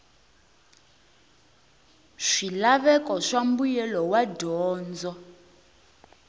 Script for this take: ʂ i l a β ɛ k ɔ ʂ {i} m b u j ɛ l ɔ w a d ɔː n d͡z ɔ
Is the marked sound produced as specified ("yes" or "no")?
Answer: no